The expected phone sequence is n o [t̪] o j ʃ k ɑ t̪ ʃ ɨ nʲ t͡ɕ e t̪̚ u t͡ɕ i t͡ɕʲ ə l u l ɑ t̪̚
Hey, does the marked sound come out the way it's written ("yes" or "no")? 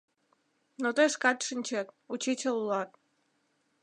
yes